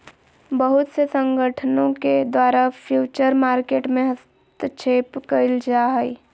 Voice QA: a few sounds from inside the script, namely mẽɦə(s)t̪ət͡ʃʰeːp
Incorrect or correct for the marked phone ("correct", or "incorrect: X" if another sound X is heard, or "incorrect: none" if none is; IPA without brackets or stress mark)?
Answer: correct